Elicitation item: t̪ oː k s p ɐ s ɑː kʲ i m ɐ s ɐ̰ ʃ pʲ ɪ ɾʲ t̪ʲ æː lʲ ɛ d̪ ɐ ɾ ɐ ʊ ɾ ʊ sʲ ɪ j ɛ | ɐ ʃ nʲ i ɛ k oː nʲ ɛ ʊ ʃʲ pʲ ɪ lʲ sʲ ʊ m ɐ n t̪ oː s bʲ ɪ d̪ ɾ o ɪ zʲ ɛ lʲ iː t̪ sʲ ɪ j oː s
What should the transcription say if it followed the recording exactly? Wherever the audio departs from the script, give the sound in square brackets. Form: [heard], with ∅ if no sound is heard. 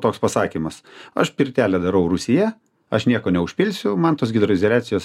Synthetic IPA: t̪ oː k s p ɐ s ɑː kʲ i m ɐ s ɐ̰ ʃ pʲ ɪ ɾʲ t̪ʲ æː lʲ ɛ d̪ ɐ ɾ ɐ ʊ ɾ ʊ sʲ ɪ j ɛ | ɐ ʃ nʲ i ɛ k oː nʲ ɛ ʊ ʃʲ pʲ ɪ lʲ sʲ ʊ m ɐ n t̪ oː s [ɡʲ] ɪ d̪ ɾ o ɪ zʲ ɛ lʲ [æː] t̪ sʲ ɪ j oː s